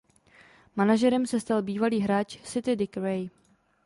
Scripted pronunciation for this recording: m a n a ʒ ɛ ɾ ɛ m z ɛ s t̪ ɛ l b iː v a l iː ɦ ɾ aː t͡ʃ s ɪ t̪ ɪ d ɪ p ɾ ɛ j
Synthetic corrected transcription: m a n a ʒ ɛ ɾ ɛ m s ɛ s t̪ a l b iː v a l iː ɦ ɾ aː t͡ʃ s ɪ t̪ ɪ d ɪ k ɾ ɛ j